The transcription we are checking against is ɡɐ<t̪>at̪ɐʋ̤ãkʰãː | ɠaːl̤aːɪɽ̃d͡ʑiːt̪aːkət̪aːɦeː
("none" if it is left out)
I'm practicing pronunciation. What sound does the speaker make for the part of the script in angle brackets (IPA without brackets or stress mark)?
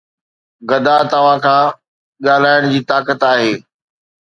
d̪